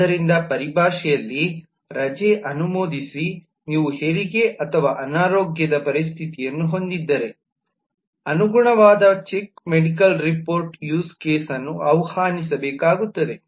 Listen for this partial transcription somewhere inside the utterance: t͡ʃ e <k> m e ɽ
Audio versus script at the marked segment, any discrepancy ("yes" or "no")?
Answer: no